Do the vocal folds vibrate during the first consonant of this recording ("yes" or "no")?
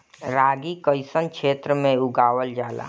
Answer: yes